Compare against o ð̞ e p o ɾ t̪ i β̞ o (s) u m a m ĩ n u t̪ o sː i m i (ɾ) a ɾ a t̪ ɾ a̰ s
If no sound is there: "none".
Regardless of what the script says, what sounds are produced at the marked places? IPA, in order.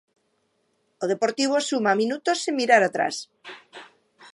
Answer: s, ɾ

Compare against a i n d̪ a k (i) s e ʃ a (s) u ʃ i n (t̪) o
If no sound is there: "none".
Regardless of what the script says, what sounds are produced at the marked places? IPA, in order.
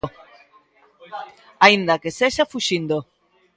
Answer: e, f, d̪

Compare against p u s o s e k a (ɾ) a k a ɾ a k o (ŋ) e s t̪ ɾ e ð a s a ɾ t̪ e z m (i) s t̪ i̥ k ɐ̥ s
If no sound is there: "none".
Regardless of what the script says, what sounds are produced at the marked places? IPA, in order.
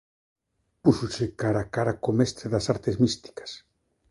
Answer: ɾ, m, i

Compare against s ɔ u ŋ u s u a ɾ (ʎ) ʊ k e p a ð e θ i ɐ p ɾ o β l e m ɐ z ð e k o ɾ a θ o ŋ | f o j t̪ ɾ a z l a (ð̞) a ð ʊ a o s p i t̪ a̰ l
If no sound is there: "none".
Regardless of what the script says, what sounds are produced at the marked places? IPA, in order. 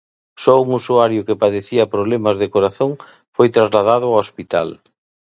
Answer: j, ð̞

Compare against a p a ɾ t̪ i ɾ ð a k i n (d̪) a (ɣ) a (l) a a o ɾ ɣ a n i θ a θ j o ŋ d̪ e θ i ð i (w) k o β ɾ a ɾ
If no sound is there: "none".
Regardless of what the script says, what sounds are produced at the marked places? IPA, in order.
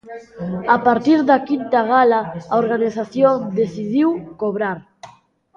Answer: t̪, ɣ, l, w

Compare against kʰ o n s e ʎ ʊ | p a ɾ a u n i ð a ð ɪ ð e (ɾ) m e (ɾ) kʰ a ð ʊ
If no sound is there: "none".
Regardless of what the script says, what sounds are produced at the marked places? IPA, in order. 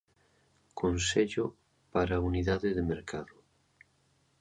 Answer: none, ɾ

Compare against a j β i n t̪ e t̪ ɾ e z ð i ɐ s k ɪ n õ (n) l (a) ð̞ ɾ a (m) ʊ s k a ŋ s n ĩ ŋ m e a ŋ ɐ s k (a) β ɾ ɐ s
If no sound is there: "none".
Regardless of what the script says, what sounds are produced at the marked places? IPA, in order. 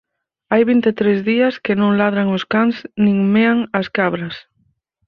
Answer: ŋ, a, ŋ, a

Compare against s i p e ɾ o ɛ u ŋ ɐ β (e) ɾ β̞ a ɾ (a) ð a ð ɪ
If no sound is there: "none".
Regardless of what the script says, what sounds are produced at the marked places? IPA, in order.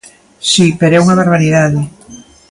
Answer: e, i

